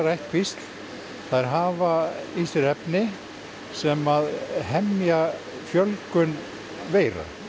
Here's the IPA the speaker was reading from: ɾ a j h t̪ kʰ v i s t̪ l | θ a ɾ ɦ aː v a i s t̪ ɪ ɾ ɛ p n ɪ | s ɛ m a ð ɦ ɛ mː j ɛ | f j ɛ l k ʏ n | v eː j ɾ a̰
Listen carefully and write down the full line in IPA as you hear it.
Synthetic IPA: ɾ a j h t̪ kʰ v i s t̪ l | θ a ɾ ɦ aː v a i s t̪ ɪ ɾ ɛ p n ɪ | s ɛ m a ð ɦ ɛ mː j a | f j œ l k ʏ n | v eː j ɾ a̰